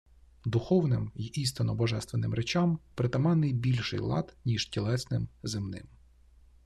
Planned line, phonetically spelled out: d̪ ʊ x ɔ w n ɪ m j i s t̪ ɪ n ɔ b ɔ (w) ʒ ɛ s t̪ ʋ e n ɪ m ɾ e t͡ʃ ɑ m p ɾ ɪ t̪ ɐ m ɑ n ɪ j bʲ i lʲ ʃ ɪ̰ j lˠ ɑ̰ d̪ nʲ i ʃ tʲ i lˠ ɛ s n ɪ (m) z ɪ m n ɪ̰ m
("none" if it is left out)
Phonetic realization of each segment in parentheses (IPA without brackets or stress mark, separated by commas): none, m